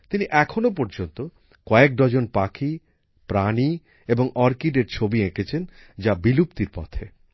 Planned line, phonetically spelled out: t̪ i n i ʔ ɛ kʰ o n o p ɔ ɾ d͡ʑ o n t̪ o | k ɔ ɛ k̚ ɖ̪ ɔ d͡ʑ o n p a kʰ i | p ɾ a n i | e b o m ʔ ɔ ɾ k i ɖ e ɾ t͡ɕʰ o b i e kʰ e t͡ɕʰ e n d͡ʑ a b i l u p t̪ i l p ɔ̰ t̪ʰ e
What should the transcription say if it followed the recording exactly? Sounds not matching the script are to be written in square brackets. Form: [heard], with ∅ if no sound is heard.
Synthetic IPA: t̪ i n i ʔ ɛ kʰ o n o p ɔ ɾ d͡ʑ o n t̪ o | k ɔ [e] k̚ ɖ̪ ɔ d͡ʑ o n p a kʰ i | p ɾ a n i | e b o [ŋ] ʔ ɔ ɾ k i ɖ e ɾ t͡ɕʰ o b i e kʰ e t͡ɕʰ e n d͡ʑ a b i l u p t̪ i [ɾ] p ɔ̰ t̪ʰ e